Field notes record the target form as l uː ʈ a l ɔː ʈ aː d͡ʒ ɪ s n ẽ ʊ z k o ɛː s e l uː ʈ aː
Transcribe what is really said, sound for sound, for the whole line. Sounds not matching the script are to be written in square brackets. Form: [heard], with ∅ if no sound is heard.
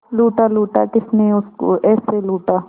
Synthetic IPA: l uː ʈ a l [uː] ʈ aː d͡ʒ ɪ s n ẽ ʊ [s] k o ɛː s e l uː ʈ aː